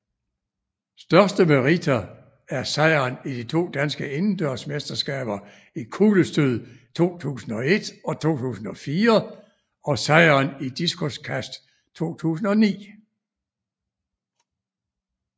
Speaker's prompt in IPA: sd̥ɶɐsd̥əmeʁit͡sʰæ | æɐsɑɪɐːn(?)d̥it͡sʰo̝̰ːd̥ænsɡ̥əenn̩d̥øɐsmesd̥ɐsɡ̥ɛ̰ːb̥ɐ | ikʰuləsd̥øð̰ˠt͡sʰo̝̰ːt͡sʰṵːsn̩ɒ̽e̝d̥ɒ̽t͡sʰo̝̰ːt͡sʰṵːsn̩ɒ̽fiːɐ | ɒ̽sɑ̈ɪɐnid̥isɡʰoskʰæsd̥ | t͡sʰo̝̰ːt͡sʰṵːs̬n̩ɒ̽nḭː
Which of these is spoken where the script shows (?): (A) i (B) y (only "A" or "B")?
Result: A